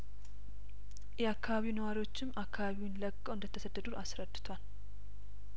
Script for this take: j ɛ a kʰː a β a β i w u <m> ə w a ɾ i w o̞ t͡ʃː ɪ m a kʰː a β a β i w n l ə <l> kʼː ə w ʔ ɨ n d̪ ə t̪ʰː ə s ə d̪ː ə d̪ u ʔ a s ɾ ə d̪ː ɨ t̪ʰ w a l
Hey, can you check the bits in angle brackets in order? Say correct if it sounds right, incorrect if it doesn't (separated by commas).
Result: incorrect, incorrect